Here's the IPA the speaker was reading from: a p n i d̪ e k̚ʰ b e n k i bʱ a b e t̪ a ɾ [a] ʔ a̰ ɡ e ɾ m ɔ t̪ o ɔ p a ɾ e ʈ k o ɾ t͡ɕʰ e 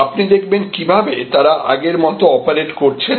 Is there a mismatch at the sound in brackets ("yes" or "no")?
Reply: no